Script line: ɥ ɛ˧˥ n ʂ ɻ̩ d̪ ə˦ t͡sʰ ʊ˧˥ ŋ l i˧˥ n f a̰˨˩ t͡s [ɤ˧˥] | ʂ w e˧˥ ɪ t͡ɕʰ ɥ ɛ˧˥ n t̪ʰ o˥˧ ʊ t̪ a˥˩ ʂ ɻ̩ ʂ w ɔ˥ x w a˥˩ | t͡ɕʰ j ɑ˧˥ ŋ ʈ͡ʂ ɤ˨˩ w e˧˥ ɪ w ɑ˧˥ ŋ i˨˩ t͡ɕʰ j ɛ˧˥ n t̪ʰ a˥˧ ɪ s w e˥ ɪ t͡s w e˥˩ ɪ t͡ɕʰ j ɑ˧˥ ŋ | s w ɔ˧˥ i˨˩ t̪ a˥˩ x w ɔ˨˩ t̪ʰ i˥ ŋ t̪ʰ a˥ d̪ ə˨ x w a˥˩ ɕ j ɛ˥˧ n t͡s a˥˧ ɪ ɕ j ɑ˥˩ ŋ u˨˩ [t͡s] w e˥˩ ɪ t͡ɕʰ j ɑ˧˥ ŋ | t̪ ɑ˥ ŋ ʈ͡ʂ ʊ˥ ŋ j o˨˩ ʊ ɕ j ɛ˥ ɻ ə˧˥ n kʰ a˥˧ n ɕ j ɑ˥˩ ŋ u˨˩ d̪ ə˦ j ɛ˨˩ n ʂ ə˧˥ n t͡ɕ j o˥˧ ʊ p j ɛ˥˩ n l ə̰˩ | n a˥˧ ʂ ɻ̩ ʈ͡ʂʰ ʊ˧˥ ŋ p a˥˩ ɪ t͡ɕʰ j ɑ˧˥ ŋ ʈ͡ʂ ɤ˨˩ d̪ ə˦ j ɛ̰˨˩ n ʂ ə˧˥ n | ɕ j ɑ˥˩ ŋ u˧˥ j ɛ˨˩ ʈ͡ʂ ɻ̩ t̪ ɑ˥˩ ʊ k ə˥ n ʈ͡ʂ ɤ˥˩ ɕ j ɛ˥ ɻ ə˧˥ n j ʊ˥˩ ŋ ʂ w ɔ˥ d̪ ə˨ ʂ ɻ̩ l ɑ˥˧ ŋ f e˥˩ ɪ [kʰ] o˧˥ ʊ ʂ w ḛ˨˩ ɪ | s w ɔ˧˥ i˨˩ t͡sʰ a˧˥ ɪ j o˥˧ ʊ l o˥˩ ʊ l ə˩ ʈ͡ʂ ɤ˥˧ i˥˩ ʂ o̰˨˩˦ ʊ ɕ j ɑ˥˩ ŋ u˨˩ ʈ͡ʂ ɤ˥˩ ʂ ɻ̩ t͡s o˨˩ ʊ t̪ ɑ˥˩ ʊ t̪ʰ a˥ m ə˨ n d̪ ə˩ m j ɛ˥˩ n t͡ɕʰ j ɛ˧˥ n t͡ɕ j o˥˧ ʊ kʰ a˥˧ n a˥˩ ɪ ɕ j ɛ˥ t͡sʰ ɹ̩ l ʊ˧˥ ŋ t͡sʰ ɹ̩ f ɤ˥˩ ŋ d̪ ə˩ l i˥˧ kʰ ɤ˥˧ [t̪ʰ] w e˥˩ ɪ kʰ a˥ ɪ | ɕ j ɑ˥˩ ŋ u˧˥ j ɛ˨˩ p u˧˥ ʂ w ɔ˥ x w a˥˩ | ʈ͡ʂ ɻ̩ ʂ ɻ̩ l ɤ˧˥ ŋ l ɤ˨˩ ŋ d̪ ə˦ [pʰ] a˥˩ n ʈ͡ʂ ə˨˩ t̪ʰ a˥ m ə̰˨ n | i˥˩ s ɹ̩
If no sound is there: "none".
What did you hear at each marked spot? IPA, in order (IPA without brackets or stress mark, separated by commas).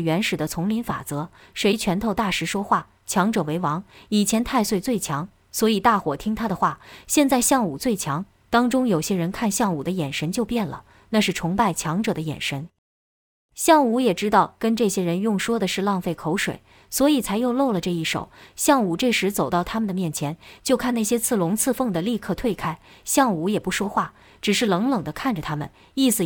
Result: ɤ˧˥, t͡s, kʰ, t̪ʰ, kʰ